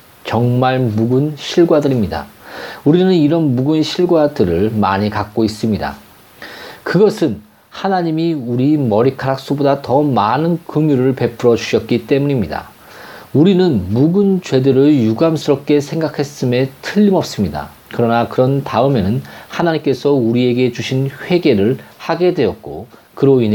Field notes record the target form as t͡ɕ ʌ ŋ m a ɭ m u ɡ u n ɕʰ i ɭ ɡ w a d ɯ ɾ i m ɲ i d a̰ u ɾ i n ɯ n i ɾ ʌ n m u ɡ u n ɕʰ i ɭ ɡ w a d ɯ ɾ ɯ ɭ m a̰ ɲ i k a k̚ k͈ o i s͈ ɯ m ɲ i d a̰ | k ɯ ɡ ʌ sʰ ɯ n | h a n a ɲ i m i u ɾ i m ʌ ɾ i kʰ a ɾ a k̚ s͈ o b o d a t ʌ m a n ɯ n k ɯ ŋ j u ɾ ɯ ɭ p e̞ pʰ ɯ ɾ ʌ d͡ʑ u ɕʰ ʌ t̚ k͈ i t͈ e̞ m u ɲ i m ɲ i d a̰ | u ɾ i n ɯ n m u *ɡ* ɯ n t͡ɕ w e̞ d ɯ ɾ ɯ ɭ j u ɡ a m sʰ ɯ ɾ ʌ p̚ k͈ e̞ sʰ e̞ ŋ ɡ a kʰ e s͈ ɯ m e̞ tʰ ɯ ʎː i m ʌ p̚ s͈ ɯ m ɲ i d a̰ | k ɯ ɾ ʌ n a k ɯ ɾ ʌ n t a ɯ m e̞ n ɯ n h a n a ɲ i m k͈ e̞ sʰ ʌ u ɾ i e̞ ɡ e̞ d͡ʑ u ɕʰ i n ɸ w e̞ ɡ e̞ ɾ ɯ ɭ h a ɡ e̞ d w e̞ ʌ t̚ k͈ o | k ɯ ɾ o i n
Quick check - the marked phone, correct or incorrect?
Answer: correct